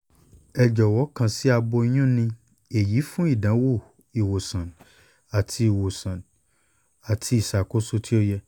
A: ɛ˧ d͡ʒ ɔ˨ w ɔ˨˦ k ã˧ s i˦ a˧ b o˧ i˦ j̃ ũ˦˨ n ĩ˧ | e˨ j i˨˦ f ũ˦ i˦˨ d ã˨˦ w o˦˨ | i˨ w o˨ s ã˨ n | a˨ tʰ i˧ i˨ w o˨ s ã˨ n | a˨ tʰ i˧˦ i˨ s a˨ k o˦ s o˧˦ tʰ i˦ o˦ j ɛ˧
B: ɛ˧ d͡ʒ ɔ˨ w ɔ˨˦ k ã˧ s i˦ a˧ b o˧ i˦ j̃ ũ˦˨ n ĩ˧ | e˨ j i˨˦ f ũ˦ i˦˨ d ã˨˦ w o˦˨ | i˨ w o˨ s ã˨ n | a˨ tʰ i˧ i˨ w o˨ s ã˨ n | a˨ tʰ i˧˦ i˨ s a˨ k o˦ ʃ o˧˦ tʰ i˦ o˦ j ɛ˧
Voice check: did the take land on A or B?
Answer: A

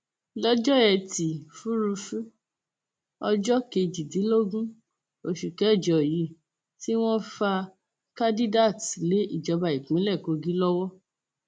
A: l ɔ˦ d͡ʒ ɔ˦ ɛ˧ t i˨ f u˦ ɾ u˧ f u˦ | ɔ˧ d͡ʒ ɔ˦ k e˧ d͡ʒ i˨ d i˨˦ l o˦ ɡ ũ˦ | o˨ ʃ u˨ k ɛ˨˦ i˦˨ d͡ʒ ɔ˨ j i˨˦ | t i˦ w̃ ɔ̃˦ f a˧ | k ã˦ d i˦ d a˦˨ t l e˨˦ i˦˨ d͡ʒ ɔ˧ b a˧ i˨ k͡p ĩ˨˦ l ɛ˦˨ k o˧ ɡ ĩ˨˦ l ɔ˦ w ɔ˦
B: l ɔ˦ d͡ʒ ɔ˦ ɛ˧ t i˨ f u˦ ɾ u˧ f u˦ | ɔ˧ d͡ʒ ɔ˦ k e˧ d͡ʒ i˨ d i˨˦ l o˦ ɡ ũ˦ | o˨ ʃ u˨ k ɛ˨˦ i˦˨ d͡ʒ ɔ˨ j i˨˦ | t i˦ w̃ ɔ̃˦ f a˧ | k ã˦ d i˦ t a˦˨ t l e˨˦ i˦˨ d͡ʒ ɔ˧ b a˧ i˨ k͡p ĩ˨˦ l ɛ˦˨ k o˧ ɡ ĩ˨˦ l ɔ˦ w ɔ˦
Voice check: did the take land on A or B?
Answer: A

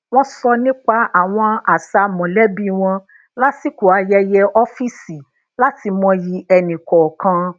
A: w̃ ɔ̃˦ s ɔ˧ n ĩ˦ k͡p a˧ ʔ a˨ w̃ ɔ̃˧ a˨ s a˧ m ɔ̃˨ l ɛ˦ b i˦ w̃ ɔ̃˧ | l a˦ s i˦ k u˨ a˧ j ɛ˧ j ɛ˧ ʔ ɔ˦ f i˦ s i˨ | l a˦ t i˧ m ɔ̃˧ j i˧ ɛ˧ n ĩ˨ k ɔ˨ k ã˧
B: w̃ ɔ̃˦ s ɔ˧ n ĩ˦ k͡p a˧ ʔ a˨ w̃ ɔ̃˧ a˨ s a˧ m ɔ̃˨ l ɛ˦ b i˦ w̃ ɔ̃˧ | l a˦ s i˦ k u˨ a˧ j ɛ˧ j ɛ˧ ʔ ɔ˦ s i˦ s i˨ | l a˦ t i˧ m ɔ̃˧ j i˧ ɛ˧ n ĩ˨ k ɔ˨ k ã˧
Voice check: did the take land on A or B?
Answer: A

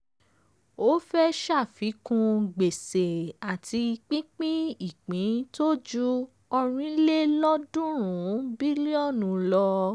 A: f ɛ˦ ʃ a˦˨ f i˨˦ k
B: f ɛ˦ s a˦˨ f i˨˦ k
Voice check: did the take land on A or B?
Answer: A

